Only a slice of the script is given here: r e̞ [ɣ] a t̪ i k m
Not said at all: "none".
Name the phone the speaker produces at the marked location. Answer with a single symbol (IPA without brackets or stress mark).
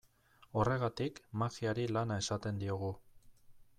ɣ